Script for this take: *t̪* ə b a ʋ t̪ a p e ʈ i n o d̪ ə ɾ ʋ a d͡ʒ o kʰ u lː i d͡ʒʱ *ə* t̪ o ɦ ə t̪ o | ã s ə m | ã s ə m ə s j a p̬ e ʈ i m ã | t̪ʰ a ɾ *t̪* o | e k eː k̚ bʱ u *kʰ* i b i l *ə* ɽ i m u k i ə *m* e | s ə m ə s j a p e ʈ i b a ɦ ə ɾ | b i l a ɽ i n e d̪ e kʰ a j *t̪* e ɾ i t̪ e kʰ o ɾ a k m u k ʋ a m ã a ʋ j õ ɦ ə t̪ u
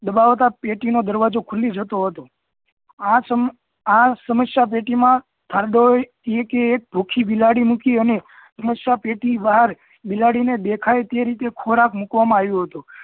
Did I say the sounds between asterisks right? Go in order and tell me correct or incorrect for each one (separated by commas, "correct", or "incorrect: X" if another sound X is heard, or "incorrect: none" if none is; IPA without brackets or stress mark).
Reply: incorrect: d̪, correct, incorrect: d̪, correct, incorrect: a, incorrect: n, correct